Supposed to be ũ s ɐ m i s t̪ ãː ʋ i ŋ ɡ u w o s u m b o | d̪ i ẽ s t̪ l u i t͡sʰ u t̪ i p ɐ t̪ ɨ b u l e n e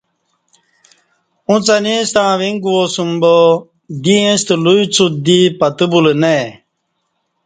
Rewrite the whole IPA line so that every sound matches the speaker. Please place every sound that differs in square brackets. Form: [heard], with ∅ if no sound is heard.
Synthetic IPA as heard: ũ [t͡s] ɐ [n] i s t̪ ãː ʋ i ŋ ɡ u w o s u m b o | d̪ i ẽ s t̪ l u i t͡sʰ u [d̪] i p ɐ t̪ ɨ b u l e n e